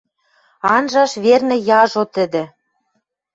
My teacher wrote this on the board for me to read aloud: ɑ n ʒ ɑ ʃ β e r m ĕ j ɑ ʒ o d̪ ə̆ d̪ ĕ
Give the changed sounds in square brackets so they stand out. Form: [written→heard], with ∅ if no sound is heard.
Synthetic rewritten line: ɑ n ʒ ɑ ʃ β e r [m→n] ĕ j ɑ ʒ o [d̪→t̪] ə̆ d̪ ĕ